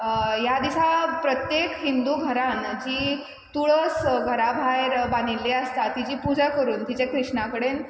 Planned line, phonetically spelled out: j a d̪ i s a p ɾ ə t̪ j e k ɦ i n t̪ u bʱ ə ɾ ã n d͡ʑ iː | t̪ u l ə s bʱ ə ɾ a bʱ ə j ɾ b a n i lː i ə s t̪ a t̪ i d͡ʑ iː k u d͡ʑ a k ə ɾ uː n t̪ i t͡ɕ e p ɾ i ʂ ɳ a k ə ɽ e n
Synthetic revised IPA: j a d̪ i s a p ɾ ə t̪ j e k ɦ i n d̪ u ɡʱ ə ɾ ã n d͡ʑ iː | t̪ u ɭ ə s ɡʱ ə ɾ a bʱ a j ɾ b a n i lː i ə s t̪ a t̪ i d͡ʑ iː p u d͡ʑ a k ə ɾ uː n t̪ i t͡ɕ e k ɾ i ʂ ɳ a k ə ɽ e n

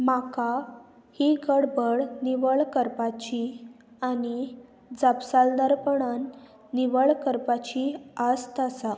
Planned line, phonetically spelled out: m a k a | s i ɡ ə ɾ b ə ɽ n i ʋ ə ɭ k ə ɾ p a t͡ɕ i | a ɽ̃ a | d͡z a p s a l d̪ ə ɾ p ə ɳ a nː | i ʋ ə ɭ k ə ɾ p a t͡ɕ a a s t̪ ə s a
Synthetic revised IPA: m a k a | h i ɡ ə ɽ b ə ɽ n i ʋ ə ɭ k ə ɾ p a t͡ɕ i | a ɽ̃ i | d͡z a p s a l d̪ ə ɾ p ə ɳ a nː | i ʋ ə ɭ k ə ɾ p a t͡ɕ i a s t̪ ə s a

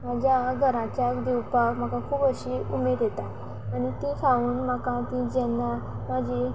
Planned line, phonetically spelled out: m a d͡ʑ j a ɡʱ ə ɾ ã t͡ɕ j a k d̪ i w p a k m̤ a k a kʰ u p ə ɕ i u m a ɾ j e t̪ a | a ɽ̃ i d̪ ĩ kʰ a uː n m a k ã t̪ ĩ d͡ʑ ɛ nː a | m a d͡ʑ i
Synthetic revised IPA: m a d͡ʑ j a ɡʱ ə ɾ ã t͡ɕ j a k d̪ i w p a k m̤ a k a kʰ uː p ə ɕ i u m e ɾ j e t̪ a | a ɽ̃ i t̪ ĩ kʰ a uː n m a k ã t̪ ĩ d͡ʑ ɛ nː a | m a d͡ʑ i

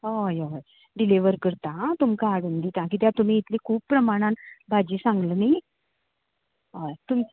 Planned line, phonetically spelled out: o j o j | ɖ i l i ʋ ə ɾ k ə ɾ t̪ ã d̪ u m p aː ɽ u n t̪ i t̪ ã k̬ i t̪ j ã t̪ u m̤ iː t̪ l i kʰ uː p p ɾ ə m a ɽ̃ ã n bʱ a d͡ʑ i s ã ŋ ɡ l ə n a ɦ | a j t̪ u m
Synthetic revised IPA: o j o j | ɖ i l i ʋ ə ɾ k ə ɾ t̪ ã t̪ u m k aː ɽ u n d̪ i t̪ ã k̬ i t̪ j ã t̪ u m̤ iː t̪ l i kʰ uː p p ɾ ə m a ɽ̃ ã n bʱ a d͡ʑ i s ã ŋ ɡ l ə n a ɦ | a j t̪ u m

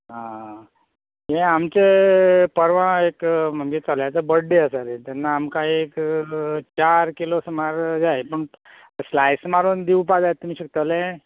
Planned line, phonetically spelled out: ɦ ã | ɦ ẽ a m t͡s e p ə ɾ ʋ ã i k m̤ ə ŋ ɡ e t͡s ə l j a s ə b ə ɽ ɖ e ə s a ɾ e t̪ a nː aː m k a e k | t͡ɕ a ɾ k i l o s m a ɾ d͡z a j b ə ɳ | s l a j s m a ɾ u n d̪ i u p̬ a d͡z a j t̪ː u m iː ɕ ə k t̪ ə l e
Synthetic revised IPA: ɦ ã | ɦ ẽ a m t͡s e p ə ɾ ʋ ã e k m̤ ə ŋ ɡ e t͡s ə l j a t͡s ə b ə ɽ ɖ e ə s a ɾ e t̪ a nː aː m k a e k | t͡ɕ a ɾ k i l o s m a ɾ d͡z a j p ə ɳ | s l a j s m a ɾ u n d̪ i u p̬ a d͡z a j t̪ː u m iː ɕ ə k t̪ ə l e

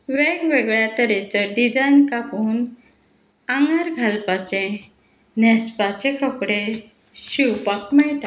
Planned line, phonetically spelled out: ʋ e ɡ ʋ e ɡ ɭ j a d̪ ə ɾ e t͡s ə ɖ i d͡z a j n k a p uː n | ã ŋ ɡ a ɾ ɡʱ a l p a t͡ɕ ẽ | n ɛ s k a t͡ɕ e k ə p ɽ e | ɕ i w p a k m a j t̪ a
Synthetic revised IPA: ʋ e ɡ ʋ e ɡ ɭ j a t̪ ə ɾ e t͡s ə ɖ i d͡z a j n k a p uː n | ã ŋ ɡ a ɾ ɡʱ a l p a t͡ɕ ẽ | n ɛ s p a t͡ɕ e k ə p ɽ e | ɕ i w p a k m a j t̪ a

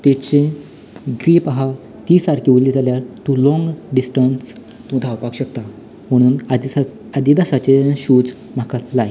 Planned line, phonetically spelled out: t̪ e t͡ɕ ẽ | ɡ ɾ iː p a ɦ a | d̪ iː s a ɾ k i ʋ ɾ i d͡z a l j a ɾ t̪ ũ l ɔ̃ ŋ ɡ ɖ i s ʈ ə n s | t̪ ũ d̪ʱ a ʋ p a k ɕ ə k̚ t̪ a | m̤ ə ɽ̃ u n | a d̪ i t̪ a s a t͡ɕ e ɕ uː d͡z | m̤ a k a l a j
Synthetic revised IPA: t̪ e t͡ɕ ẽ | ɡ ɾ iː p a ɦ a | t̪ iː s a ɾ k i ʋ l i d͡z a l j a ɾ t̪ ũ l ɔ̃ ŋ ɡ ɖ i s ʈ ə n s | t̪ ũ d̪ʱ a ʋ p a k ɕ ə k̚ t̪ a | m̤ ə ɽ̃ uː n | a d̪ i d̪ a s a t͡ɕ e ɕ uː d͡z | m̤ a k a l a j

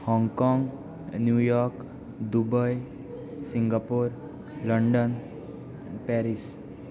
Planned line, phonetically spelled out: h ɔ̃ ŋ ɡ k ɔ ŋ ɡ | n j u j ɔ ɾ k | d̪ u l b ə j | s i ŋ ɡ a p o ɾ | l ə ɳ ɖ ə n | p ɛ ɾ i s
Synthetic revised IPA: h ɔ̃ ŋ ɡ k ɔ ŋ ɡ | n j u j ɔ ɾ k | d̪ u b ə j | s i ŋ ɡ a p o ɾ | l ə ɳ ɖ ə n | p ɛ ɾ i s

